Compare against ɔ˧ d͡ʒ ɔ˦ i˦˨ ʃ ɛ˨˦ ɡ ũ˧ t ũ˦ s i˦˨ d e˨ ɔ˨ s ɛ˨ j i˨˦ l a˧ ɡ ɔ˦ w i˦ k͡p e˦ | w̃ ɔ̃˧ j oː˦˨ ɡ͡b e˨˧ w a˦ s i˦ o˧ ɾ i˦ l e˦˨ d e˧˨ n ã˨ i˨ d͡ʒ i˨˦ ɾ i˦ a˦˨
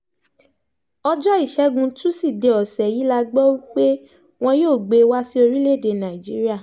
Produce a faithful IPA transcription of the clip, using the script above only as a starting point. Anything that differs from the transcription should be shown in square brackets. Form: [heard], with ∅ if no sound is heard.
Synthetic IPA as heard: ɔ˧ d͡ʒ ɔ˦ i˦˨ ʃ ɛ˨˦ ɡ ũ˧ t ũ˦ s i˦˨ d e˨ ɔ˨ s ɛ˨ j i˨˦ l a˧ [ɡ͡b] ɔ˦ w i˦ k͡p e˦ | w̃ ɔ̃˧ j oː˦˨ ɡ͡b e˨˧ w a˦ s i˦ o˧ ɾ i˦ l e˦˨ d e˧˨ n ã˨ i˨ d͡ʒ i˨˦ ɾ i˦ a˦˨